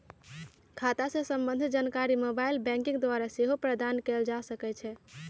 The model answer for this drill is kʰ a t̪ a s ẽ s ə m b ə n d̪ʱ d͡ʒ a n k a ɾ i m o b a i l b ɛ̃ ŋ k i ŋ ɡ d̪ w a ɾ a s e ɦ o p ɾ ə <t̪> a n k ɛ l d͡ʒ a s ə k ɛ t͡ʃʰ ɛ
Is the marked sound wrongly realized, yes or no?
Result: yes